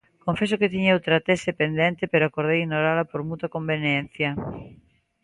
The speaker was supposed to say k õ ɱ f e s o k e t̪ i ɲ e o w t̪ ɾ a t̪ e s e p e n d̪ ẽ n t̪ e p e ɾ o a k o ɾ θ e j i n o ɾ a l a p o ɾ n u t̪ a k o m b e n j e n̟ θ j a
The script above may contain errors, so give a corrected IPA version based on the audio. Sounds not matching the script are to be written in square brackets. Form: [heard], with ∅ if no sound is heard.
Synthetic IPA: k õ ɱ f e s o k e t̪ i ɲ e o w t̪ ɾ a t̪ e s e p e n d̪ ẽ n t̪ e p e ɾ o a k o ɾ [ð] e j i n o ɾ a l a p o ɾ [m] u t̪ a k o m b e n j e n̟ θ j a